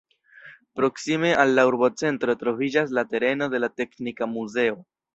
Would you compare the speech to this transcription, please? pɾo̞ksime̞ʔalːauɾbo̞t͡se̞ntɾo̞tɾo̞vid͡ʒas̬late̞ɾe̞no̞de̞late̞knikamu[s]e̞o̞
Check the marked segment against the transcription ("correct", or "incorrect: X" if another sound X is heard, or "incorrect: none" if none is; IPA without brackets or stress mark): incorrect: z